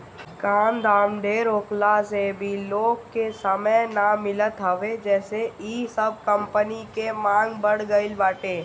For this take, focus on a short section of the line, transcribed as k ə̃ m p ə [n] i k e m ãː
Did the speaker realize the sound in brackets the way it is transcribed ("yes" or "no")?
yes